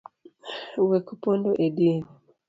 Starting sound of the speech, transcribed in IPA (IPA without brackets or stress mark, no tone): w